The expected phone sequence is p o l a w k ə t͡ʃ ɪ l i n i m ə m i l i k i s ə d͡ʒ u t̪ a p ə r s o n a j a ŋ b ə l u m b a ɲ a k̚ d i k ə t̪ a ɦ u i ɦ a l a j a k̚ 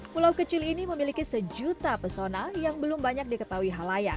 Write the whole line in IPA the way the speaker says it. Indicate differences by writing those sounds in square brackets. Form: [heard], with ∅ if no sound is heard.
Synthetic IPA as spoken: p [u] l a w k ə t͡ʃ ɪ l i n i m ə m i l i k i s ə d͡ʒ u t̪ a p ə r s o n a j a ŋ b ə l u m b a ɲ a k̚ d i k ə t̪ a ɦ u i ɦ a l a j a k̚